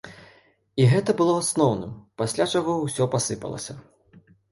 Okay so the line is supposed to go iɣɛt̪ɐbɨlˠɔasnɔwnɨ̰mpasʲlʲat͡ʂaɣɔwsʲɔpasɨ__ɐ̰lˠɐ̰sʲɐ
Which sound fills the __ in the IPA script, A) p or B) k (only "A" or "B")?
A